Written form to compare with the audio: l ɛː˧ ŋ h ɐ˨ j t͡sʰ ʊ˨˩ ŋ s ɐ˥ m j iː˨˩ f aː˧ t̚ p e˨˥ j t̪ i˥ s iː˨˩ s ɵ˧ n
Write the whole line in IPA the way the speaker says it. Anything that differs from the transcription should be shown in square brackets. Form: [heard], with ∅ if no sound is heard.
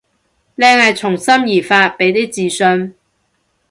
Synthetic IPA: l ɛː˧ ŋ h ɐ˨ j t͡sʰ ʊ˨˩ ŋ s ɐ˥ m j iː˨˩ f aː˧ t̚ p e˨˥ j t̪ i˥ [t͡s] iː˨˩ s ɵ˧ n